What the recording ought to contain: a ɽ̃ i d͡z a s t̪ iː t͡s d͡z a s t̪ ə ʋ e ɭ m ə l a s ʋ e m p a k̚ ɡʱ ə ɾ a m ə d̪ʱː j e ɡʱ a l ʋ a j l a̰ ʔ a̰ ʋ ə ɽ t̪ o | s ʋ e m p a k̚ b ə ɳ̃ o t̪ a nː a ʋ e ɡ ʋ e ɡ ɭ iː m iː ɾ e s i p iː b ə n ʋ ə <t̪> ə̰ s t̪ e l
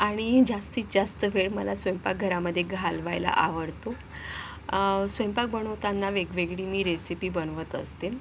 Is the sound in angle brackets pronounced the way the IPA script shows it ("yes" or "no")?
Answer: yes